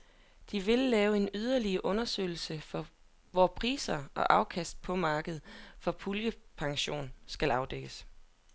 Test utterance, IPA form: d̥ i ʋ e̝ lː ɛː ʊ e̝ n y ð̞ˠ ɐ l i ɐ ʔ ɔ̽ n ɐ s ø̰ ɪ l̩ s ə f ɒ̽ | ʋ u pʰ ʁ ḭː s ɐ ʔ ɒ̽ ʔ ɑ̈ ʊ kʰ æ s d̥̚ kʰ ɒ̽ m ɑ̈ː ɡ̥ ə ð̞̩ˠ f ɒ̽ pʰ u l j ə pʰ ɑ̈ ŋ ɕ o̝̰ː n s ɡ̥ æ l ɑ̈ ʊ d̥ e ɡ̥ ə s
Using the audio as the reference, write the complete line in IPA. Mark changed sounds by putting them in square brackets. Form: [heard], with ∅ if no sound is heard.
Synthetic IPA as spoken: d̥ i ʋ e̝ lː ɛː ʊ e̝ n y ð̞ˠ ɐ l i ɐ ʔ ɔ̽ n ɐ s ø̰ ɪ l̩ s ə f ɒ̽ | ʋ [ɒ] pʰ ʁ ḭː s ɐ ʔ ɒ̽ ʔ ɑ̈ ʊ kʰ æ s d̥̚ [pʰ] ɒ̽ m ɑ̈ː ɡ̥ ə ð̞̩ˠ f ɒ̽ pʰ u l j ə pʰ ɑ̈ ŋ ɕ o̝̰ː n s ɡ̥ æ l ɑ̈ ʊ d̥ e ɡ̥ ə s